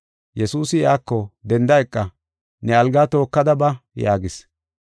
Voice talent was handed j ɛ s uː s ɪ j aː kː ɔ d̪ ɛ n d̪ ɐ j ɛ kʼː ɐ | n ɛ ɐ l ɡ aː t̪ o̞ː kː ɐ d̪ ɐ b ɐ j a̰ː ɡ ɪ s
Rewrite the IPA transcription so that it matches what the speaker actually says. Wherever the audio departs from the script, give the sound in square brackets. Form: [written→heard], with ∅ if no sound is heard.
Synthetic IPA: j ɛ s uː s ɪ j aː kː ɔ d̪ ɛ n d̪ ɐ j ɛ kʼː ɐ | n ɛ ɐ l ɡ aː t̪ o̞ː kː ɐ d̪ ɐ b ɐ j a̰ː ɡ ɪ s

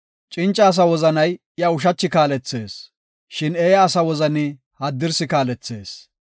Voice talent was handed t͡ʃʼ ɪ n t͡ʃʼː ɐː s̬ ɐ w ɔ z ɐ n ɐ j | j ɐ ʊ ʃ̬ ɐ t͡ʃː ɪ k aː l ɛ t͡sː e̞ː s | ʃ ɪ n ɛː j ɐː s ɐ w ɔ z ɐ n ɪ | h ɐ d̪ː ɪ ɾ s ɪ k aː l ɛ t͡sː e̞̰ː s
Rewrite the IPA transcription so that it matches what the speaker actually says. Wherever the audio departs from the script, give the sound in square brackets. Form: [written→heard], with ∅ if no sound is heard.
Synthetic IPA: t͡ʃʼ ɪ n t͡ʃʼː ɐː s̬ ɐ w ɔ z ɐ n ɐ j | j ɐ ʊ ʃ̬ ɐ t͡ʃː ɪ k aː l ɛ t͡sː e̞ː s | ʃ ɪ n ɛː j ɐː s ɐ w ɔ z ɐ n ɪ | h ɐ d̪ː ɪ ɾ s ɪ k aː l ɛ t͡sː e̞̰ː s

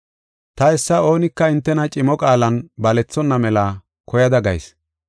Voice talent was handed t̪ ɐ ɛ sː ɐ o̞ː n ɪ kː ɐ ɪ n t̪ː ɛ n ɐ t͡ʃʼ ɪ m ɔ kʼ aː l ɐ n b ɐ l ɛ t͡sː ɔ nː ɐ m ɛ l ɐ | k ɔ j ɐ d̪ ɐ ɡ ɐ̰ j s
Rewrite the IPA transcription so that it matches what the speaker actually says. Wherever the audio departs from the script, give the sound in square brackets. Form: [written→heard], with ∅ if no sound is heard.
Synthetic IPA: t̪ ɐ ɛ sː ɐ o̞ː n ɪ kː ɐ ɪ n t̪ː ɛ n ɐ t͡ʃʼ ɪ m ɔ kʼ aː l ɐ n b ɐ l ɛ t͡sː ɔ nː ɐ m ɛ l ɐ | k ɔ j ɐ d̪ ɐ ɡ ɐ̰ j s

